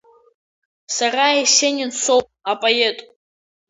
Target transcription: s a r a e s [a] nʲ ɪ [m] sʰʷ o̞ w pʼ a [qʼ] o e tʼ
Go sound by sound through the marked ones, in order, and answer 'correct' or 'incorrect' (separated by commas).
incorrect, incorrect, incorrect